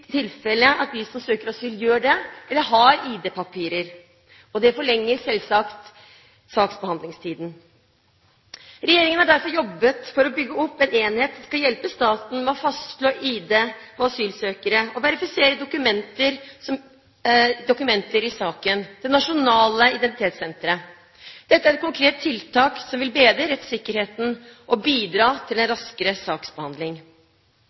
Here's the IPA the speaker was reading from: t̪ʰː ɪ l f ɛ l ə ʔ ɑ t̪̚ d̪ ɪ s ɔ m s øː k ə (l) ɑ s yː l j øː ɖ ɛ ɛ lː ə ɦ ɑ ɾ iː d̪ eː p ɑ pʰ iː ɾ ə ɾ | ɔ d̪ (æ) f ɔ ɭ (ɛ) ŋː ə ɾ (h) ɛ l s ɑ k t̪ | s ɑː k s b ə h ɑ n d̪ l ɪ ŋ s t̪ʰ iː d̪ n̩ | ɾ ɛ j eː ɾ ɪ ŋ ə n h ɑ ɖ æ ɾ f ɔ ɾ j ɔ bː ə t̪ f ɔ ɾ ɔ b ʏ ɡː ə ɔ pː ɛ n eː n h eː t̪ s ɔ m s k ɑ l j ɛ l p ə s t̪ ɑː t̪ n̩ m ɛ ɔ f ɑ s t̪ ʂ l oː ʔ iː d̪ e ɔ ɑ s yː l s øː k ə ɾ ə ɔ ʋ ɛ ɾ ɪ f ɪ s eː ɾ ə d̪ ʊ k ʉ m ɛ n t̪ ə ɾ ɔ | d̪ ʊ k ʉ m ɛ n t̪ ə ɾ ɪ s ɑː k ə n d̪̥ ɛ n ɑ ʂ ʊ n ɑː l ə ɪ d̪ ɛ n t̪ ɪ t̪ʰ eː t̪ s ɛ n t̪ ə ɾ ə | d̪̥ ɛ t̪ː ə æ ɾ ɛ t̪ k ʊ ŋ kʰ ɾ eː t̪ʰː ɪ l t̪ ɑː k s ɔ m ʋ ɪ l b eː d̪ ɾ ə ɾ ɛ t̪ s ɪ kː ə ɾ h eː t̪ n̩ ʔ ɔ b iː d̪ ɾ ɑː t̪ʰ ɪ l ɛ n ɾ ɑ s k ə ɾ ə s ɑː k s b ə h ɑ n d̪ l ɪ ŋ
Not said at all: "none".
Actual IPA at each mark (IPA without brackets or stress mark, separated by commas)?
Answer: ɾ, ɛ, ɛ, s